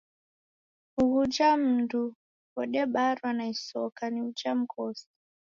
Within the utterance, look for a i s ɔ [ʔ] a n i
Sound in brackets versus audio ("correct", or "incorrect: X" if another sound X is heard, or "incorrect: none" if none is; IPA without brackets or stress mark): incorrect: k